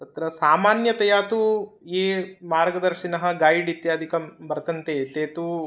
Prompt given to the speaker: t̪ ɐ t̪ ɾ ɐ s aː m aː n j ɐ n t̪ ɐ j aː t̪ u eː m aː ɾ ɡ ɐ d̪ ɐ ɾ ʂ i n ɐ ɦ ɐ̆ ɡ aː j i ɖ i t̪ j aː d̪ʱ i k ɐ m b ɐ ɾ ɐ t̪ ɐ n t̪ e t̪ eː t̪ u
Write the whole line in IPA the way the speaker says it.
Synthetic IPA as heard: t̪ ɐ t̪ ɾ ɐ s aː m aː n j ɐ t̪ ɐ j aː t̪ u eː m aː ɾ ɡ ɐ d̪ ɐ ɾ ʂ i n ɐ ɦ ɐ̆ ɡ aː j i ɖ i t̪ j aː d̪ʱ i k ɐ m b ɐ ɾ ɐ t̪ ɐ n t̪ e t̪ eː t̪ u